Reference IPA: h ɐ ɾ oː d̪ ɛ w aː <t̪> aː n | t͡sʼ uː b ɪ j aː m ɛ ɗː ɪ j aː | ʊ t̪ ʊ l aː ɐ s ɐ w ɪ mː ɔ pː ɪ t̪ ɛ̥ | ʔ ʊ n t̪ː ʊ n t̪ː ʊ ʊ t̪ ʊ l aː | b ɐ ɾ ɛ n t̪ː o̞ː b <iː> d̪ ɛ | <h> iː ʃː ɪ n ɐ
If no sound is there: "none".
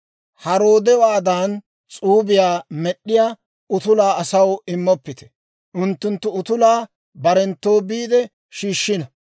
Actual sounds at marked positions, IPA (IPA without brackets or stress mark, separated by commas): d̪, iː, ʃ